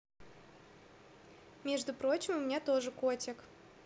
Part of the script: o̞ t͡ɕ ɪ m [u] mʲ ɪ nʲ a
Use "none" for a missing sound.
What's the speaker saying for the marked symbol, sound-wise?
ʊ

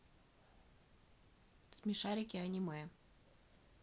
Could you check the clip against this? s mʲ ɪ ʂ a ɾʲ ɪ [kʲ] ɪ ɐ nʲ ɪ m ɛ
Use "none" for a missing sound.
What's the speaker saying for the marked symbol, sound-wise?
kʲ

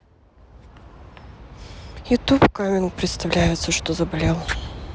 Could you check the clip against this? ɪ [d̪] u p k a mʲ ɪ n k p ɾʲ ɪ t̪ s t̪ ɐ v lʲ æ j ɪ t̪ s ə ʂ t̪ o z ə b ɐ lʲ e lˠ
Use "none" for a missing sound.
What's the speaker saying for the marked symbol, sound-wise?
t̪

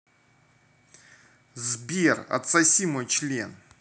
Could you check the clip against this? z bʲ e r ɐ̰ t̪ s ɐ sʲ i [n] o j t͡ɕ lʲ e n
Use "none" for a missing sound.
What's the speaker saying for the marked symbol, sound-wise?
m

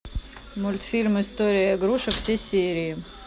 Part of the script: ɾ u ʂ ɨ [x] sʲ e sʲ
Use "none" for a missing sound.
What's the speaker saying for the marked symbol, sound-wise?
f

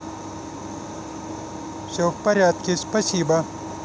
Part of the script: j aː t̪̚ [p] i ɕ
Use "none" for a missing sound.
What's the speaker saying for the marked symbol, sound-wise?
k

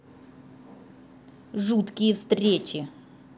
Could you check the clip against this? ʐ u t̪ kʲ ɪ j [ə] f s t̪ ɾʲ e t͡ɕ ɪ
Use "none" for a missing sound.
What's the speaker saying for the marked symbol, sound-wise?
ə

